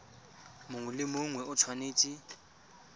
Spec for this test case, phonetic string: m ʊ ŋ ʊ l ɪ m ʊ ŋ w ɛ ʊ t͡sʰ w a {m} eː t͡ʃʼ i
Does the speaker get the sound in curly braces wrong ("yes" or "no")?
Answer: yes